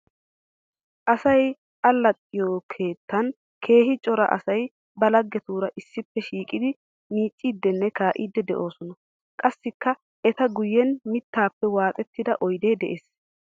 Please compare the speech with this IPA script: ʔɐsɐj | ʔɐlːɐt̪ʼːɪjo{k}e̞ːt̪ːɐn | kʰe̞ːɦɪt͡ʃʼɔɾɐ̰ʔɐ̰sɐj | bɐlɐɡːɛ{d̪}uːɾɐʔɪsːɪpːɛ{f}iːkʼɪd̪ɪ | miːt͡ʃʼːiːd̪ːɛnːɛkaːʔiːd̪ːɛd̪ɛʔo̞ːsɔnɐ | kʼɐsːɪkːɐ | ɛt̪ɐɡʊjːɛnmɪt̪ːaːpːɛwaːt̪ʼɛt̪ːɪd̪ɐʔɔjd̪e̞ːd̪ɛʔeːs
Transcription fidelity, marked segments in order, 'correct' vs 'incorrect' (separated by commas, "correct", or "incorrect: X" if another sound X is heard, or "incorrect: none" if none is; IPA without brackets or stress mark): incorrect: kʰ, incorrect: t̪, incorrect: ʃ